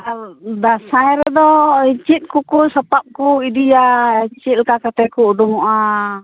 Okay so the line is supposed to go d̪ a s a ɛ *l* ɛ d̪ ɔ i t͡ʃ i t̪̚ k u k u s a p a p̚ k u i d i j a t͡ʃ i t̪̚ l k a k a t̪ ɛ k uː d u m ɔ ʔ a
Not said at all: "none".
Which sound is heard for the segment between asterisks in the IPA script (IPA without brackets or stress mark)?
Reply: ɾ